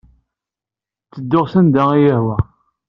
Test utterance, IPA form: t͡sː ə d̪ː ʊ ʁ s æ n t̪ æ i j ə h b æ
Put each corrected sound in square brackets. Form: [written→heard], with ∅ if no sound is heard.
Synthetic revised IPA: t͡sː ə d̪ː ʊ ʁ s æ n [t̪→d̪] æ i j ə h [b→w] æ

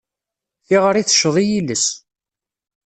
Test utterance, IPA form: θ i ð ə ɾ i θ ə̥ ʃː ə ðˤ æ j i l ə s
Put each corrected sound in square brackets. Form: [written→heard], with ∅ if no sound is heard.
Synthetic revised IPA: θ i [ð→ʁ] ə ɾ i θ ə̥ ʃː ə ðˤ [æ→i] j i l ə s

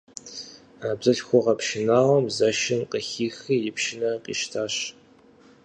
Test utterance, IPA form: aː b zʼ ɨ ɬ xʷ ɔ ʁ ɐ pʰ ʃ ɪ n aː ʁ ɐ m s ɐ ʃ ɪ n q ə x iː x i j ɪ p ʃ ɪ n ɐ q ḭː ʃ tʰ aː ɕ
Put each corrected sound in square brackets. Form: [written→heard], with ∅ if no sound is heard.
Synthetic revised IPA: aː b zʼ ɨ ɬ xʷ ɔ ʁ ɐ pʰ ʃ ɪ n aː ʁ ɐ m [s→z] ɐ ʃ ɪ n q ə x iː x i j ɪ p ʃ ɪ n ɐ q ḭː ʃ tʰ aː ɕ

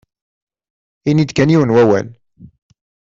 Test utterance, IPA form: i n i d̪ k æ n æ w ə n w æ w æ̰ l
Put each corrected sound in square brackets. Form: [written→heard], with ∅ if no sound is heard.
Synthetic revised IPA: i n i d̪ k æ n [æ→i] w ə n w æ w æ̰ l

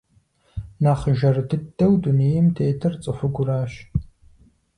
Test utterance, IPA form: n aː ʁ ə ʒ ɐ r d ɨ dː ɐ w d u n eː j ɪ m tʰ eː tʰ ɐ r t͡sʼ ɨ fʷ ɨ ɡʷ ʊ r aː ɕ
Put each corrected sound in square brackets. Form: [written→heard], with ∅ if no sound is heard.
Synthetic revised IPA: n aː [ʁ→χ] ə ʒ ɐ r d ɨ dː ɐ w d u n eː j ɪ m tʰ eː tʰ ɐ r t͡sʼ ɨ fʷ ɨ ɡʷ ʊ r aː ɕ

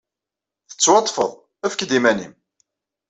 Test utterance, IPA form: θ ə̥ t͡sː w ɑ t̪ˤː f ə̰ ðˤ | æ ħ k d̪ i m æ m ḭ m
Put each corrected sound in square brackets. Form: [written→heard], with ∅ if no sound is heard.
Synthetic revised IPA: θ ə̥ t͡sː w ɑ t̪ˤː f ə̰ ðˤ | æ [ħ→f] k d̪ i m æ [m→n] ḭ m

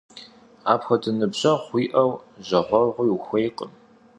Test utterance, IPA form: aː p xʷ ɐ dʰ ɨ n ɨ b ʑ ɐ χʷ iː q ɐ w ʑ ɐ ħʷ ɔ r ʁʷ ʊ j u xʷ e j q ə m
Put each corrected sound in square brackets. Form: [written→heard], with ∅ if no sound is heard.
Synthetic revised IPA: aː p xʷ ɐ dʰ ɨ n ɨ b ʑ ɐ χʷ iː [q→ʔ] ɐ w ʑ ɐ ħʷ ɔ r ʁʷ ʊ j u xʷ e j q ə m

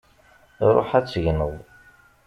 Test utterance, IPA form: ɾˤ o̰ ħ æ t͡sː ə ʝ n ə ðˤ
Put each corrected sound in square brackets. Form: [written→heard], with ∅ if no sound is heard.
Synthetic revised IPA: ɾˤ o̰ ħ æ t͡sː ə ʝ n ə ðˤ

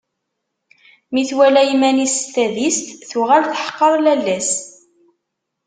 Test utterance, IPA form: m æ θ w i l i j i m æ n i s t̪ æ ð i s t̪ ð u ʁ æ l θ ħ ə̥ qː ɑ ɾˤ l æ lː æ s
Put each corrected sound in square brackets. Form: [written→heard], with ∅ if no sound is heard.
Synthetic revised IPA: m [æ→i] θ w [i→æ] l [i→æ] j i m æ n i s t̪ æ ð i s t̪ [ð→θ] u ʁ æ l θ ħ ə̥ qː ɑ ɾˤ l æ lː æ s

